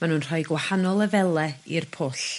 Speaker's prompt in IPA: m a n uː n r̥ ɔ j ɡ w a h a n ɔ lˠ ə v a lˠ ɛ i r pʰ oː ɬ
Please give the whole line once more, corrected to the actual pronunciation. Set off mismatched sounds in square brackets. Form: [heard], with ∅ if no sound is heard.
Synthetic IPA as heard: m a n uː n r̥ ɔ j ɡ w a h a n ɔ lˠ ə v [ɛ] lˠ ɛ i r pʰ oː ɬ